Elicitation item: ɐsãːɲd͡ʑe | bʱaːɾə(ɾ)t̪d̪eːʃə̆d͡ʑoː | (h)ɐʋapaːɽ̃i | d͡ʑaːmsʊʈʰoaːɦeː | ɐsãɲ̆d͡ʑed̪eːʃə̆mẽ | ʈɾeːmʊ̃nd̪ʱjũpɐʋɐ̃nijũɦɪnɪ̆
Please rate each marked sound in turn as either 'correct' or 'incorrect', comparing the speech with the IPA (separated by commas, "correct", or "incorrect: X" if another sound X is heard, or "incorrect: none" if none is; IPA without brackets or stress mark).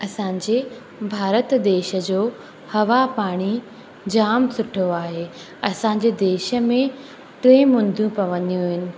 incorrect: none, correct